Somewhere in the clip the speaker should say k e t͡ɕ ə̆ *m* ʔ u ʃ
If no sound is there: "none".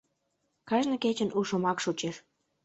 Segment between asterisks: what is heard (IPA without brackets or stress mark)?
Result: n